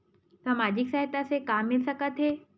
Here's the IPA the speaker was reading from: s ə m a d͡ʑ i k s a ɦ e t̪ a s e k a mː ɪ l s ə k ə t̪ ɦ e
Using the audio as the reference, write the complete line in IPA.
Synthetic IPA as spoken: s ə m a d͡ʑ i k s a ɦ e t̪ a s e k a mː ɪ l s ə k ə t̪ ɦ e